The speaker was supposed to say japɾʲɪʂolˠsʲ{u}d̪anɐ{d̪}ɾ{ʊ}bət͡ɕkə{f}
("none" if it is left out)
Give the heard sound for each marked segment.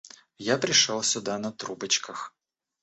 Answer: ʊ, t̪, u, x

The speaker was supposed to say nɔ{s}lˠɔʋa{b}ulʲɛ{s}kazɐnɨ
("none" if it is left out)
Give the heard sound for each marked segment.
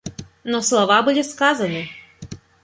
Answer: s, b, s

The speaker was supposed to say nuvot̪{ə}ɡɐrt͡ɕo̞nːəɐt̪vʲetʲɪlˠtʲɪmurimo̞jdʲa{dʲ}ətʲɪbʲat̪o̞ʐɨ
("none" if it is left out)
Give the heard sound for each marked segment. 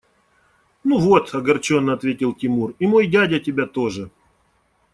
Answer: ɐ, dʲ

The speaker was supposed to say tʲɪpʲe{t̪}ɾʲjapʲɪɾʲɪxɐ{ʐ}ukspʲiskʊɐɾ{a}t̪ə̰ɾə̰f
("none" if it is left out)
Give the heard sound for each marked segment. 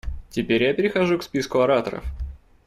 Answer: none, ʐ, a

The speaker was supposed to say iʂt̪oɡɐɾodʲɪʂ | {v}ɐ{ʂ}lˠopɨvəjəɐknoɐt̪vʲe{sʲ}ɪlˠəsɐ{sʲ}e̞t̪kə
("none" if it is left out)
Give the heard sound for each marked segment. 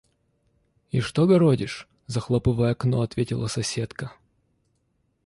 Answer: z, x, tʲ, sʲ

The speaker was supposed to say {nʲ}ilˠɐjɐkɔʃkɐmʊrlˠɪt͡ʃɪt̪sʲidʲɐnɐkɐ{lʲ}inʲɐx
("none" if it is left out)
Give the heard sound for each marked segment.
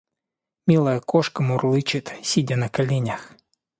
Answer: mʲ, lʲ

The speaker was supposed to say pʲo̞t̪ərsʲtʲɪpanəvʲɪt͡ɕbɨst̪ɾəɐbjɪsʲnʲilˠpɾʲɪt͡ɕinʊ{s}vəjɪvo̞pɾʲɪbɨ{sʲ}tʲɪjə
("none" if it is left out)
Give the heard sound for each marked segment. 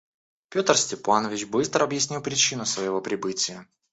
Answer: s, none

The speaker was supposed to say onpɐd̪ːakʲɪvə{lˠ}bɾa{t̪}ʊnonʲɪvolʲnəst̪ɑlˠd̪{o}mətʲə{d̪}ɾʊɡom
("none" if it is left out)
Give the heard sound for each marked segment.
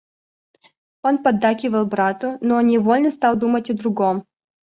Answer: lˠ, t̪, u, d̪

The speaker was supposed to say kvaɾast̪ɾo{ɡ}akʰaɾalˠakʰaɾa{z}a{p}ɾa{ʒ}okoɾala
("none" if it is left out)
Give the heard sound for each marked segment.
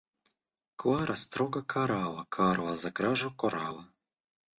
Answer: ɡ, z, k, ʒ

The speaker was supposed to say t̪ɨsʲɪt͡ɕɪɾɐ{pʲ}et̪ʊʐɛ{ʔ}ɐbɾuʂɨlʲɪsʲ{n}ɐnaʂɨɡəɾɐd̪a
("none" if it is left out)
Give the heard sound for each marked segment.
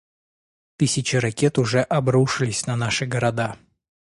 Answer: kʲ, ʔ, n

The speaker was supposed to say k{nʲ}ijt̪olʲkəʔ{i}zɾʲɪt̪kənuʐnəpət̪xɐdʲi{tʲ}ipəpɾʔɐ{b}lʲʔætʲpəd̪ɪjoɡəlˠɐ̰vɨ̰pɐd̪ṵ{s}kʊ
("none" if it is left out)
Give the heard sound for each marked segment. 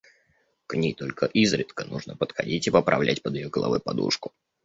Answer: nʲ, i, tʲ, v, ʂ

